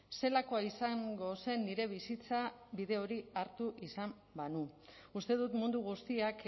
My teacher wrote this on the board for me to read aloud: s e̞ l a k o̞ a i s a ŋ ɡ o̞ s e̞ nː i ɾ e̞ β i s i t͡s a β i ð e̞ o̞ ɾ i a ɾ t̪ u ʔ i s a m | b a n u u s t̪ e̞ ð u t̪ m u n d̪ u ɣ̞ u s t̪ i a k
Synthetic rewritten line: s e̞ l a k o̞ a i s a ŋ ɡ o̞ s e̞ nː i ɾ e̞ β i s i t͡s a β i ð e̞ o̞ ɾ i a ɾ t̪ u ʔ i s a m | b a n u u s t̪ e̞ ð u t̪ m u n d̪ u ɣ̞ u s t̪ i a k